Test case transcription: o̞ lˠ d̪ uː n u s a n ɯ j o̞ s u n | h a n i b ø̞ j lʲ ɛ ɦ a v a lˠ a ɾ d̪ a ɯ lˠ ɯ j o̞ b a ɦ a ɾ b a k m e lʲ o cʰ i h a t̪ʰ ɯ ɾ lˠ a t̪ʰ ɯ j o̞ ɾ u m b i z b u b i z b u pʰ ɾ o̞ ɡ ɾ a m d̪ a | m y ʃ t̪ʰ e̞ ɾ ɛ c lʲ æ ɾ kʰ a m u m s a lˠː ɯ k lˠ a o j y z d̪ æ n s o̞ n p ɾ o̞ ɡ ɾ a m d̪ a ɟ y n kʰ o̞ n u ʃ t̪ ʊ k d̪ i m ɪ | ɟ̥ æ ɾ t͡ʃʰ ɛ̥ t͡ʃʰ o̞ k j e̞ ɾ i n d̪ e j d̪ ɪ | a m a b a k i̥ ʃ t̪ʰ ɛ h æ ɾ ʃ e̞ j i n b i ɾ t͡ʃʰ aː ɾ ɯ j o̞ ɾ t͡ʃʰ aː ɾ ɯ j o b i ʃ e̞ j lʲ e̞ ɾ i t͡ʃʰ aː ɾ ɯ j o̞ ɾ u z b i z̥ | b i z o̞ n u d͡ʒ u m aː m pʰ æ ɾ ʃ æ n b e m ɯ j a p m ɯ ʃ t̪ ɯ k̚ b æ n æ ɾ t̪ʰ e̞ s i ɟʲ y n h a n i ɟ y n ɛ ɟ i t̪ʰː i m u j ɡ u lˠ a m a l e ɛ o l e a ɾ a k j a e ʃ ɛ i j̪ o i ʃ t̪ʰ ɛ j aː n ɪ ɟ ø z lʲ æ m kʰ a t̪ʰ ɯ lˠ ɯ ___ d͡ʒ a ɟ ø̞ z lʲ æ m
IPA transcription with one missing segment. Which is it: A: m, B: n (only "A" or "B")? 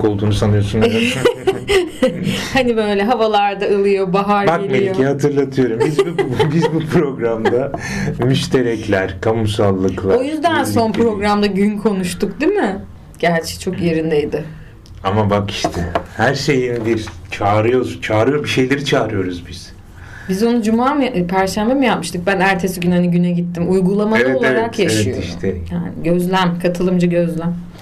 A